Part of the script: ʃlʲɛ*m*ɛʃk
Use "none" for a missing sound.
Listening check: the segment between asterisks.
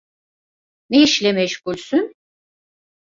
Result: m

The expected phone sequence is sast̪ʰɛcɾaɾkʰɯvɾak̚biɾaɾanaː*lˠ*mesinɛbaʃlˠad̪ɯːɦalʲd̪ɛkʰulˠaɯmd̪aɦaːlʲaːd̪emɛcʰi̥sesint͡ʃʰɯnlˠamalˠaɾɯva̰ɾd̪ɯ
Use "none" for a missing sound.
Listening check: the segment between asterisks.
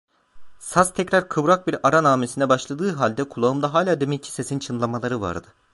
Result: none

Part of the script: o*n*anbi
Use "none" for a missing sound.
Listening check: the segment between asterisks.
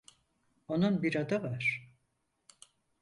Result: n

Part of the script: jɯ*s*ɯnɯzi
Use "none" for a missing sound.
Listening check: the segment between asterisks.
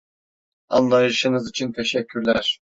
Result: ʃ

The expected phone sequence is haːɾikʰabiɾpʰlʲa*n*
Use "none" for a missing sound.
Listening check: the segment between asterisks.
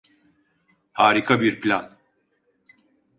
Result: n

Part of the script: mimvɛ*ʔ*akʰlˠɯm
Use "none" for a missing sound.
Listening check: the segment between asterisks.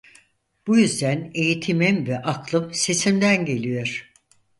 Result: ʔ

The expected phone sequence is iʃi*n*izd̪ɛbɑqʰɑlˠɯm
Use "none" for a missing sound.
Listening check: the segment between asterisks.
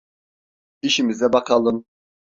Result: m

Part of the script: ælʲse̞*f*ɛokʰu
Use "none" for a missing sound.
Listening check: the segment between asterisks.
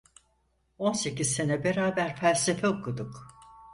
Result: f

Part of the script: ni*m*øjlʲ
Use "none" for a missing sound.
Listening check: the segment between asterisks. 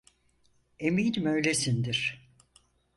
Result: m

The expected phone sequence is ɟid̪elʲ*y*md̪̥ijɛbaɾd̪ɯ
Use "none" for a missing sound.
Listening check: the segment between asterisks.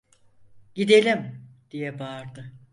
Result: i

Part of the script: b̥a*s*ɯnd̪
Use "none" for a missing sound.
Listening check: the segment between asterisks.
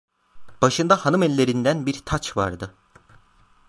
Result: ʃ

